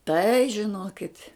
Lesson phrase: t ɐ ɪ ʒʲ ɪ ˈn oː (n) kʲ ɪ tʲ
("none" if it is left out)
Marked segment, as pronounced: none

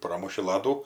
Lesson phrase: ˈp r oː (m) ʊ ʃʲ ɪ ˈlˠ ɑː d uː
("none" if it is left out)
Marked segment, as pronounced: m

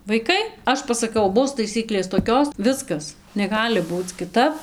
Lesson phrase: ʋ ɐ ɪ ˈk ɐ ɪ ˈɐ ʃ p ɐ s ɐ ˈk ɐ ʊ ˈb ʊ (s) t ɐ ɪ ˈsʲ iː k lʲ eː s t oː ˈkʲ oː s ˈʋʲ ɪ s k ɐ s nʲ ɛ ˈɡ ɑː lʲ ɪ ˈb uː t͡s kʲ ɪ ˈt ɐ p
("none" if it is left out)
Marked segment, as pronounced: s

